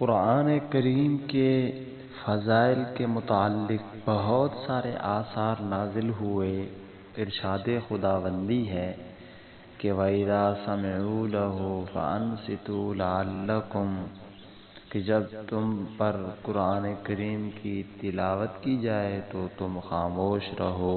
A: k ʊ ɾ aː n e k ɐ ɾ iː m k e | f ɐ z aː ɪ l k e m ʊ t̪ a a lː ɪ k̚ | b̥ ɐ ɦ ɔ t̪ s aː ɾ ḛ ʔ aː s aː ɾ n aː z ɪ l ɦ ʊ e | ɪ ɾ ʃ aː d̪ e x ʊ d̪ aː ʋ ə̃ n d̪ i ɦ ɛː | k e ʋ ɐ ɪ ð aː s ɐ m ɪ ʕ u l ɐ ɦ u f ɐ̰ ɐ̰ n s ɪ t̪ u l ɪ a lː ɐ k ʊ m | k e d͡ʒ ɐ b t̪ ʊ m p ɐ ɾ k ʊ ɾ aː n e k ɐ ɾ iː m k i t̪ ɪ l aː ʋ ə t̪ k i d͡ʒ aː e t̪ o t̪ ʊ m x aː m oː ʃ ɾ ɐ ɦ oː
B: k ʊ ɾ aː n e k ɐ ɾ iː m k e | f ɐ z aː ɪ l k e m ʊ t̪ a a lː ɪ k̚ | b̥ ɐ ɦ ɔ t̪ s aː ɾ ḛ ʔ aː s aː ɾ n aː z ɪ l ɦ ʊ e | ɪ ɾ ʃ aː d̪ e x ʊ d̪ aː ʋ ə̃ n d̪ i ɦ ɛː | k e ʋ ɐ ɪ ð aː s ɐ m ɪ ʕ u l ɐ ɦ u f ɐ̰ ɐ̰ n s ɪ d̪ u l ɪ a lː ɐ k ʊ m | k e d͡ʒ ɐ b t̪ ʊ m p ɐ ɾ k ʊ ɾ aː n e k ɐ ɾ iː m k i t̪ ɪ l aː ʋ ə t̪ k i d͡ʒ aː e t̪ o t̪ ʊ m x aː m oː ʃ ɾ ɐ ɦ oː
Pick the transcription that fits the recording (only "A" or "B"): A